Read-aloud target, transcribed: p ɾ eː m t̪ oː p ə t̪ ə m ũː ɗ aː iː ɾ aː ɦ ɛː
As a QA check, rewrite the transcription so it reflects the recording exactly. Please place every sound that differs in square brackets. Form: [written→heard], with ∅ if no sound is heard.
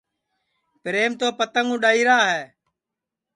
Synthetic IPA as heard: p ɾ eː m t̪ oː p ə t̪ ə [m→ŋ] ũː ɗ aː iː ɾ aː ɦ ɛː